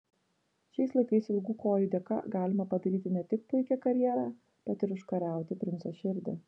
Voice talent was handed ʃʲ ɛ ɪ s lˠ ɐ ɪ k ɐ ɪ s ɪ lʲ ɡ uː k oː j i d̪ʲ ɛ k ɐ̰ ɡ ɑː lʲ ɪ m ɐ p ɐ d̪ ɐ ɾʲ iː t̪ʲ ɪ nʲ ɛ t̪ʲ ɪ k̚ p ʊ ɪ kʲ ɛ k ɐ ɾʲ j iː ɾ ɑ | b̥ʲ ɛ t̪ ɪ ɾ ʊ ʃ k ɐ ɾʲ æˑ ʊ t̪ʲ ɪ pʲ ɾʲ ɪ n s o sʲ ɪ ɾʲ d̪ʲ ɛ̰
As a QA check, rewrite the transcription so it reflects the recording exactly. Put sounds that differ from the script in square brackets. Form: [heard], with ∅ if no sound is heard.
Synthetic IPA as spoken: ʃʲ ɛ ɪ s lˠ ɐ ɪ k ɐ ɪ s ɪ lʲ ɡ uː k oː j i d̪ʲ ɛ k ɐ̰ ɡ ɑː lʲ ɪ m ɐ p ɐ d̪ ɐ ɾʲ iː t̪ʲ ɪ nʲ ɛ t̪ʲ ɪ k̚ p ʊ ɪ kʲ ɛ k ɐ ɾʲ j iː ɾ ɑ | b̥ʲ ɛ t̪ ɪ ɾ ʊ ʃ k ɐ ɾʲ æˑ ʊ t̪ʲ ɪ pʲ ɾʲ ɪ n s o [ʃʲ] ɪ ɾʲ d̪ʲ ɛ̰